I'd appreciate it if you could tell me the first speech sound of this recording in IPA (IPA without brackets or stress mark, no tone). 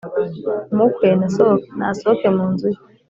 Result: m